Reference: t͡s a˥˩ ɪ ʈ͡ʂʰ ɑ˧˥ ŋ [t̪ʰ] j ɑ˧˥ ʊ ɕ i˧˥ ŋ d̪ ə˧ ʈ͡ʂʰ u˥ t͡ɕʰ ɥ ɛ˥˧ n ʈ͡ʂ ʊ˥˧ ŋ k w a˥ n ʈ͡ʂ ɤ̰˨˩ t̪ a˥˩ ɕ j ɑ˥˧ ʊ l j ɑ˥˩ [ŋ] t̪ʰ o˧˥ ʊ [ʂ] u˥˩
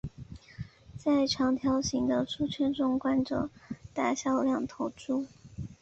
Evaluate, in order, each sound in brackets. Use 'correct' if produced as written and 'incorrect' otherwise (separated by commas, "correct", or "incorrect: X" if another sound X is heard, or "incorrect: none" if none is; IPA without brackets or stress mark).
correct, correct, incorrect: ʈ͡ʂ